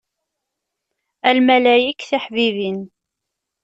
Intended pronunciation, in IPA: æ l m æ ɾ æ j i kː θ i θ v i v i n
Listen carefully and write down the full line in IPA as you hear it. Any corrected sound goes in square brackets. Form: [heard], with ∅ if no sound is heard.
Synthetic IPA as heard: æ l m æ [l] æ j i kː θ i [ħ] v i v i n